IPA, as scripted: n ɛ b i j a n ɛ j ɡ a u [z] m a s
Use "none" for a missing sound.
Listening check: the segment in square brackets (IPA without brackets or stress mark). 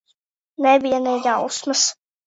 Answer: s